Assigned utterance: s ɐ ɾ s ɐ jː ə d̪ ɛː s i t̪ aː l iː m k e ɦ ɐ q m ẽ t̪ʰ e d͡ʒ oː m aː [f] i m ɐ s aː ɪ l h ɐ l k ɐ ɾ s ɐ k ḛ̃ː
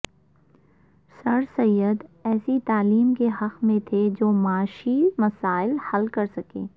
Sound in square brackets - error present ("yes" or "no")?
yes